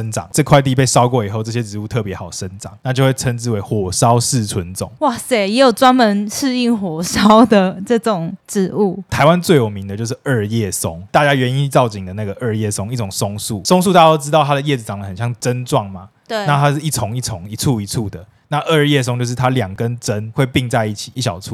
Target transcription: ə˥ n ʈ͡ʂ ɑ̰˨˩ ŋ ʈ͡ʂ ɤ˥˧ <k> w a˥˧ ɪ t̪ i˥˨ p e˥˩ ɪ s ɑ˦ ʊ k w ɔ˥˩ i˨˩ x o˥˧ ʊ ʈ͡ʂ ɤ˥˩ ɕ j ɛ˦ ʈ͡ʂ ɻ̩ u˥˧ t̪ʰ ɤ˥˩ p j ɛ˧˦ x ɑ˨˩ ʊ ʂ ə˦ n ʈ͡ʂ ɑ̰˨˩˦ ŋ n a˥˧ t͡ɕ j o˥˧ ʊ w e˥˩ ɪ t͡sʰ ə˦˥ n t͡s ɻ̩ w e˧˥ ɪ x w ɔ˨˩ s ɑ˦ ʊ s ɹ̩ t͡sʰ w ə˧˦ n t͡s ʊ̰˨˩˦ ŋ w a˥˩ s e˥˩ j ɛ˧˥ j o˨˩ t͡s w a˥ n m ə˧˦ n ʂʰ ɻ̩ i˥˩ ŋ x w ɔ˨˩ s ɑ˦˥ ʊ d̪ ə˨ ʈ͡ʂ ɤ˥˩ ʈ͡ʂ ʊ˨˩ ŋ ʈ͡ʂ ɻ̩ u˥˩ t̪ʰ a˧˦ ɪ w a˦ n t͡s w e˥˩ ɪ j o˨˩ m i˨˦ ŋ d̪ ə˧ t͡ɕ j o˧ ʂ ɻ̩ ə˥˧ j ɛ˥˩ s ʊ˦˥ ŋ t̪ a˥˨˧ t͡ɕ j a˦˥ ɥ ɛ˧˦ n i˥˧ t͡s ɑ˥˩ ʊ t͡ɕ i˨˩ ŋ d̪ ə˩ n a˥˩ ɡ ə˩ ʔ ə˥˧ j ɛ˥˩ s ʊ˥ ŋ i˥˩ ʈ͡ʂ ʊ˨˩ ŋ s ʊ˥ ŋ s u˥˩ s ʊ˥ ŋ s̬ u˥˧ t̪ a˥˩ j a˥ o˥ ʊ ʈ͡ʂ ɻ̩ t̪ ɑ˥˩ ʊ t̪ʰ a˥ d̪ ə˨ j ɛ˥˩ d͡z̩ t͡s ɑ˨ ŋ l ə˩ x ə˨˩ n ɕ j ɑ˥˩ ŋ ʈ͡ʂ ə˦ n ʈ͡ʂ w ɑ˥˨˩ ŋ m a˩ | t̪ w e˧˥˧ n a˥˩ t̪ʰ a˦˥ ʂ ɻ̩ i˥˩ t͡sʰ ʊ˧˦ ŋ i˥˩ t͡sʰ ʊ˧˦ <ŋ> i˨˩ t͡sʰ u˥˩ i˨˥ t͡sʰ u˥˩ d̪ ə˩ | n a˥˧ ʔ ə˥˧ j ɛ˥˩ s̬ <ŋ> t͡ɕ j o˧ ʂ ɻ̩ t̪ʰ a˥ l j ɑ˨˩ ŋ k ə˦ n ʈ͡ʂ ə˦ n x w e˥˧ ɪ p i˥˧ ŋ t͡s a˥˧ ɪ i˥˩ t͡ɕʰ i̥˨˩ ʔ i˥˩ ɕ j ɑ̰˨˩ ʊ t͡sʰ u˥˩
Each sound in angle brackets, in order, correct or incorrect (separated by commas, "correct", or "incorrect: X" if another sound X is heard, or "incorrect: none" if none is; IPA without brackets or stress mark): incorrect: kʰ, correct, correct